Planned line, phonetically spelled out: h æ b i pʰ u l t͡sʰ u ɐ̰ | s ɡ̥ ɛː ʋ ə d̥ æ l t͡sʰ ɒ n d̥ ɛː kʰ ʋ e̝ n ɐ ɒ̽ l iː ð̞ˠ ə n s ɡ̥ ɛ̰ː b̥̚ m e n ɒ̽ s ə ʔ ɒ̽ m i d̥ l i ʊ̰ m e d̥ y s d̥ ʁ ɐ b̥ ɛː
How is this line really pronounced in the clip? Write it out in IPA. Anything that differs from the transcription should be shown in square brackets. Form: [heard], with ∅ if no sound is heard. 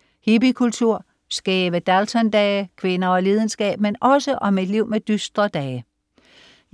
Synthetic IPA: h [i] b i [kʰ] u l t͡sʰ u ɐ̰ | s ɡ̥ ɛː ʋ ə d̥ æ l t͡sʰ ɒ n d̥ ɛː kʰ ʋ e̝ n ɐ ɒ̽ l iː ð̞ˠ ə n s ɡ̥ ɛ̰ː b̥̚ m e n ɒ̽ s ə ʔ ɒ̽ m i d̥ l i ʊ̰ m e d̥ y s d̥ ʁ ɐ [d̥] ɛː

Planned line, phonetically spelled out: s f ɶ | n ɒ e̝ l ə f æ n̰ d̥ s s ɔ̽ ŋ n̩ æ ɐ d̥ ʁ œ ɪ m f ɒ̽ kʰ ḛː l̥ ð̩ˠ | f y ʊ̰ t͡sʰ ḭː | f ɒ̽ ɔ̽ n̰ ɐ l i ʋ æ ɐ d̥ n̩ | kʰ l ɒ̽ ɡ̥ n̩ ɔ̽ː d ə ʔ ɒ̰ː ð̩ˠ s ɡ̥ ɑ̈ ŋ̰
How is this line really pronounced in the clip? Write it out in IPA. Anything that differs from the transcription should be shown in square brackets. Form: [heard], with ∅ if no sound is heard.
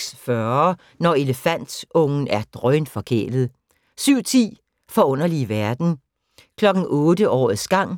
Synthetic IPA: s f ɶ | n ɒ e̝ l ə f æ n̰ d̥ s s ɔ̽ ŋ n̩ æ ɐ d̥ ʁ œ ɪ [n] f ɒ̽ kʰ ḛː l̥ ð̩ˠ | [s] y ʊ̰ t͡sʰ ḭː | f ɒ̽ ɔ̽ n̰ ɐ l i ʋ æ ɐ d̥ n̩ | kʰ l ɒ̽ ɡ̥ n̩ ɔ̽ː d ə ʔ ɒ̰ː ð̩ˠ s ɡ̥ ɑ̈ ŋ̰

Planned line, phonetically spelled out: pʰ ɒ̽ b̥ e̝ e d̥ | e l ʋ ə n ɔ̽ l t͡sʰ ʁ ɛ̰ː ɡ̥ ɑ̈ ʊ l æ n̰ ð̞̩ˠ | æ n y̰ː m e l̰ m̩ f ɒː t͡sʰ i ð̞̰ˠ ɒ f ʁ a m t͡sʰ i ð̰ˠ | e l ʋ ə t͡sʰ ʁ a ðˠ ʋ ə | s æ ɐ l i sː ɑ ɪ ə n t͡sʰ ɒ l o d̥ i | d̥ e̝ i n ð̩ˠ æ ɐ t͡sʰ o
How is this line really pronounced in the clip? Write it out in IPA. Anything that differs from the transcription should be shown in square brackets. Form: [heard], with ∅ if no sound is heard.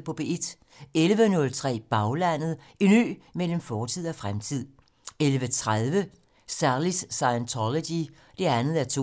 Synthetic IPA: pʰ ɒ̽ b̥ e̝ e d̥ | e l ʋ ə n ɔ̽ l t͡sʰ ʁ ɛ̰ː [b̥] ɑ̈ ʊ l æ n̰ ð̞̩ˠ | [i] n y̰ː m e l̰ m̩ f ɒː t͡sʰ i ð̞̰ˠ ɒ f ʁ a m t͡sʰ i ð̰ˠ | e l ʋ ə t͡sʰ ʁ a ðˠ ʋ ə | s æ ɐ l i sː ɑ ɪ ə n t͡sʰ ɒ l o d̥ i | d̥ e̝ [æ] n ð̩ˠ æ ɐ t͡sʰ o

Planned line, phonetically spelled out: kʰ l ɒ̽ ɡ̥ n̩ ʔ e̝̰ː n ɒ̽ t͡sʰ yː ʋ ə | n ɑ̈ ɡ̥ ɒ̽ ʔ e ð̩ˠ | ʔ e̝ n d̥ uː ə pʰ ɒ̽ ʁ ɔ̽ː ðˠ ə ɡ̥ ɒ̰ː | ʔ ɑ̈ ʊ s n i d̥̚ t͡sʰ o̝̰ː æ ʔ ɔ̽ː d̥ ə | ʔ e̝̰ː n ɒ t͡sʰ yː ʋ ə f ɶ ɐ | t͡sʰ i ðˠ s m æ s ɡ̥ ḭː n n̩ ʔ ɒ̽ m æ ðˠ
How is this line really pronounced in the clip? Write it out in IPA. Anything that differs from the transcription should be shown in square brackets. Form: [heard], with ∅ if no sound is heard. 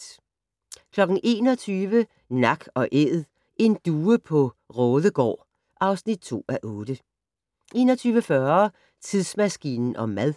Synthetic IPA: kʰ l ɒ̽ ɡ̥ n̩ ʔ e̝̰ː n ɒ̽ t͡sʰ yː ʋ ə | n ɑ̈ ɡ̥ ɒ̽ ʔ e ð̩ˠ | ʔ e̝ n d̥ uː ə pʰ ɒ̽ ʁ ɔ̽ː ðˠ ə ɡ̥ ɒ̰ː | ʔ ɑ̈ ʊ s n i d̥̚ t͡sʰ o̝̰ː æ ʔ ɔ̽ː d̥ ə | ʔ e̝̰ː n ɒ t͡sʰ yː ʋ ə f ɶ ɐ | t͡sʰ i ðˠ s m æ s ɡ̥ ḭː n n̩ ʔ ɒ̽ m æ ðˠ

